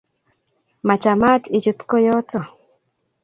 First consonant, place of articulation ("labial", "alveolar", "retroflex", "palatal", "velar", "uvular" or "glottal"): labial